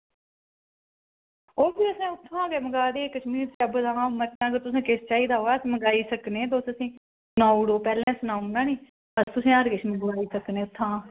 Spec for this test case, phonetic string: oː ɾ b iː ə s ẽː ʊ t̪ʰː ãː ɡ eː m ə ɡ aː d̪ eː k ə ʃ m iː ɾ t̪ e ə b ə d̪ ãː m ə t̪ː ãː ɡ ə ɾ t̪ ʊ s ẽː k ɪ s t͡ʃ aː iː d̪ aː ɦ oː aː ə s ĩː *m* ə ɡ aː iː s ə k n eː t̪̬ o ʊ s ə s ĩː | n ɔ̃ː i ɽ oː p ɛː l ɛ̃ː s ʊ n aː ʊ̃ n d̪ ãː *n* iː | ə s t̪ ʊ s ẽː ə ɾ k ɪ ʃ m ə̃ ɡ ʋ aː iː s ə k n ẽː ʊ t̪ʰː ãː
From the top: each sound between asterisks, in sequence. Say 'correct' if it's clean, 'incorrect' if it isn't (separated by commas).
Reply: correct, correct